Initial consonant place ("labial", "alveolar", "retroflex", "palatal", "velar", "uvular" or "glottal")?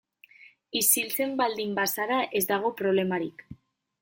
alveolar